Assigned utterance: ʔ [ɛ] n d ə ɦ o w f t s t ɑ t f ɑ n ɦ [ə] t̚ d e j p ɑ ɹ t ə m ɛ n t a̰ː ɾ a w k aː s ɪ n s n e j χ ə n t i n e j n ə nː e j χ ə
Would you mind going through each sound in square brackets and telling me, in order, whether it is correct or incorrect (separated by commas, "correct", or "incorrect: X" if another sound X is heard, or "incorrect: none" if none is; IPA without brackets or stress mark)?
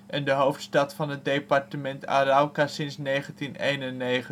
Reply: correct, correct